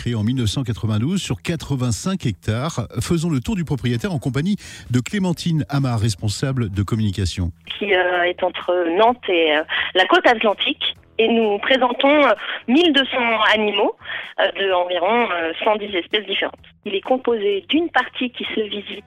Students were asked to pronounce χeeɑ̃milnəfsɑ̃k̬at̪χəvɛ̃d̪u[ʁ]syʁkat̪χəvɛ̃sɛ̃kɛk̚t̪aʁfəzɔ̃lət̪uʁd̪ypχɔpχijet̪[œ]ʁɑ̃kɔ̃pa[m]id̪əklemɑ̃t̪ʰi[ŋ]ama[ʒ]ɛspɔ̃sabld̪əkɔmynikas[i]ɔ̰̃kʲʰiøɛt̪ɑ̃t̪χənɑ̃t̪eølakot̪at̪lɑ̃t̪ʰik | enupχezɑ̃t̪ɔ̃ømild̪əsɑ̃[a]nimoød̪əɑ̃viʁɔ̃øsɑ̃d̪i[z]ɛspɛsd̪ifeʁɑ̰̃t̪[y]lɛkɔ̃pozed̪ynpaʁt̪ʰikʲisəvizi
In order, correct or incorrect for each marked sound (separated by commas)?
incorrect, incorrect, incorrect, incorrect, incorrect, incorrect, correct, correct, incorrect